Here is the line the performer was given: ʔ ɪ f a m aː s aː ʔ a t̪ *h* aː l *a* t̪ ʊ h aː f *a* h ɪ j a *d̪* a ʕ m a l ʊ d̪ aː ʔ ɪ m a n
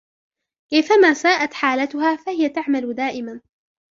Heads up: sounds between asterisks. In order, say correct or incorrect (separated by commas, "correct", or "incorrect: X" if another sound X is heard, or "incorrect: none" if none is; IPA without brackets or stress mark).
incorrect: ħ, correct, correct, incorrect: t̪